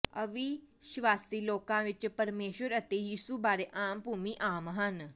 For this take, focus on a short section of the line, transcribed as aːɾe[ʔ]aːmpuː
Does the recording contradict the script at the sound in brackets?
no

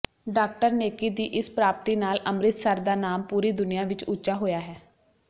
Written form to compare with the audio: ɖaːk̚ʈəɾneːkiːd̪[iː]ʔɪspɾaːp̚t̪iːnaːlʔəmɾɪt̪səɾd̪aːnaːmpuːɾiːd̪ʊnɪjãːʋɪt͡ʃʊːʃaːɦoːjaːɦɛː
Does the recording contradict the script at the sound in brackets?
no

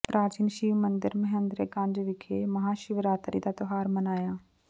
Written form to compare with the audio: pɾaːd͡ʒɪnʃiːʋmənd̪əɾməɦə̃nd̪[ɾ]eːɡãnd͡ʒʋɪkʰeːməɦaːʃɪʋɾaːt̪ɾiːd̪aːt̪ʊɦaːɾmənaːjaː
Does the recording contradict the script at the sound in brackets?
no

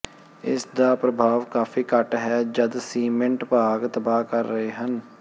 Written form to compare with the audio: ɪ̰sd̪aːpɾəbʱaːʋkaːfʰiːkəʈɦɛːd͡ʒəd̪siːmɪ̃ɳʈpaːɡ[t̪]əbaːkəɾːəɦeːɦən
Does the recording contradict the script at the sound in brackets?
no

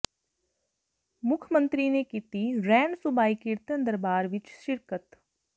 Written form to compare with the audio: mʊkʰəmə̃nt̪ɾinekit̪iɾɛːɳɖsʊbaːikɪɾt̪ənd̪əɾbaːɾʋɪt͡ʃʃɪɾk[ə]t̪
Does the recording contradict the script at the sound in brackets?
no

